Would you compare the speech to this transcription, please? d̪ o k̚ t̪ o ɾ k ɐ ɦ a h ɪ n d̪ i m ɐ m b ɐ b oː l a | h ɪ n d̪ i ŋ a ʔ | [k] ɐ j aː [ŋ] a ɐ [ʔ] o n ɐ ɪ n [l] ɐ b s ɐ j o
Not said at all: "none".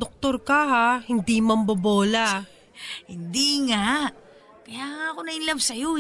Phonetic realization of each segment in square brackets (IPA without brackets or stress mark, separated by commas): k, ŋ, k, l